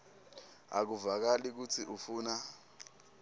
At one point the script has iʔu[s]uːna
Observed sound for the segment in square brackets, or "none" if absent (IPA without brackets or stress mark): f